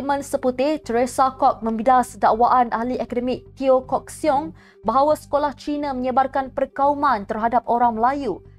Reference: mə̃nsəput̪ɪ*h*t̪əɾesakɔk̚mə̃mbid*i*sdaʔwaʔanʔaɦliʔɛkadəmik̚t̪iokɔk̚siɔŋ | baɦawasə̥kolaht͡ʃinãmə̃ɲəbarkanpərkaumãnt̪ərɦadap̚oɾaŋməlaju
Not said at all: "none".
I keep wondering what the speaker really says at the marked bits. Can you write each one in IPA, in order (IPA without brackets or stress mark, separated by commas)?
h, a